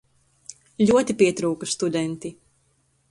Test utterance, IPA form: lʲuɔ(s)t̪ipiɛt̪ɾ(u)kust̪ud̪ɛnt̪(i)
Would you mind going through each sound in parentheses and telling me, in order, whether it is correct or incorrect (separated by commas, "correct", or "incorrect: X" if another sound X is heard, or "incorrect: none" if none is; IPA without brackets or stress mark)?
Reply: incorrect: none, incorrect: uː, correct